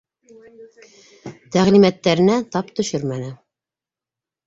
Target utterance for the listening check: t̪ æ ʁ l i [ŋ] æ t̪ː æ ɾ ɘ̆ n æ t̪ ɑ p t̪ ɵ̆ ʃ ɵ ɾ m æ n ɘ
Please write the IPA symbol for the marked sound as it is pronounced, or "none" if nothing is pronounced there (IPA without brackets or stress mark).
m